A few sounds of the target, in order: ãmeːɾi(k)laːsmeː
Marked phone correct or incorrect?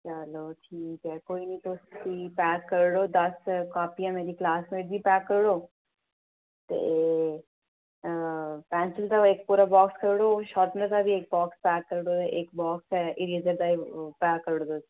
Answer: correct